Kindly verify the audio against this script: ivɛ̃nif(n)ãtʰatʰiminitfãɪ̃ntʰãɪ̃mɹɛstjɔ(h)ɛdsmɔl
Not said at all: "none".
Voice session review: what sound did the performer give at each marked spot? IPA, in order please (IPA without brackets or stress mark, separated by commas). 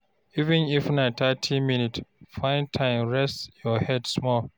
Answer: n, h